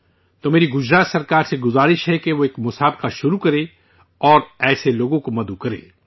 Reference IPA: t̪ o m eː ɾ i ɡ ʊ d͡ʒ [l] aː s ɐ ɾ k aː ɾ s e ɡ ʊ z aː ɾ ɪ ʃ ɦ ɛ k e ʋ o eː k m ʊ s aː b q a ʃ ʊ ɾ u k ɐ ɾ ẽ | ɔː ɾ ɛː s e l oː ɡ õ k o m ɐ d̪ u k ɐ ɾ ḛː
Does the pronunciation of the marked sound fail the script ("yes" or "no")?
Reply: yes